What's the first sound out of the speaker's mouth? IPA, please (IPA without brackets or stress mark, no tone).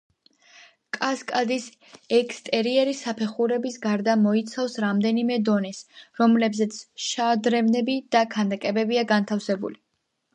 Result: kʼ